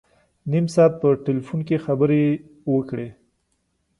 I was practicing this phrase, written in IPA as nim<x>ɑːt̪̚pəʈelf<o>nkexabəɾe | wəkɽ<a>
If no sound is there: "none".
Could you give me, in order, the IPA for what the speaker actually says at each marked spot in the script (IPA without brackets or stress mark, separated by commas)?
s, u, e